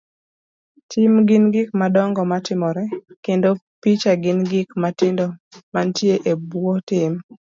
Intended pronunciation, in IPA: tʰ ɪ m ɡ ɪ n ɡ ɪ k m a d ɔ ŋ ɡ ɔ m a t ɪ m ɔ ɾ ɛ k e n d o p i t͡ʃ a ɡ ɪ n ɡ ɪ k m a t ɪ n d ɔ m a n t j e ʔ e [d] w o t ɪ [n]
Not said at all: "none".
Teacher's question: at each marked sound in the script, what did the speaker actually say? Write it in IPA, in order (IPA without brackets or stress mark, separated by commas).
b, m